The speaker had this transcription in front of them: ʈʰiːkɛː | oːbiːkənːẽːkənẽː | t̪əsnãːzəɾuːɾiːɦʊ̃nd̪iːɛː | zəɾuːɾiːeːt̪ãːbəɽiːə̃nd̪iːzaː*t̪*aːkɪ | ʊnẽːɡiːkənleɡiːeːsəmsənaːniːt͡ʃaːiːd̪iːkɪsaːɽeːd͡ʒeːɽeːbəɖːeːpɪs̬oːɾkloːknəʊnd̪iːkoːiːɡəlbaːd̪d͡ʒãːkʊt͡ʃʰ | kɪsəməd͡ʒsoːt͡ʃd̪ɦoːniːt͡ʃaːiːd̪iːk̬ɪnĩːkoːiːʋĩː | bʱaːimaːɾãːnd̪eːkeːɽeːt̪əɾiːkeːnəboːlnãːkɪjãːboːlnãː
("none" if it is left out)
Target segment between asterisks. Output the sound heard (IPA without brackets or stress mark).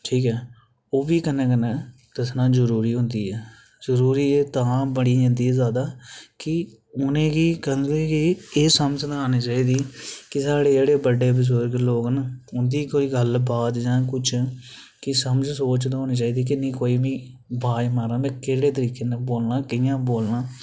d̪